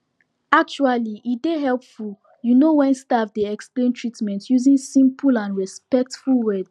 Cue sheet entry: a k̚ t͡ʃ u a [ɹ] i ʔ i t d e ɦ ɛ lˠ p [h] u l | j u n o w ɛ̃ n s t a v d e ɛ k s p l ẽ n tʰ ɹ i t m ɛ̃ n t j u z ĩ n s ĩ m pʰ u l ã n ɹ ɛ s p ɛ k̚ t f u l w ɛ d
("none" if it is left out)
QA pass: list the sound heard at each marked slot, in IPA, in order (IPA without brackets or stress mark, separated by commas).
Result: l, f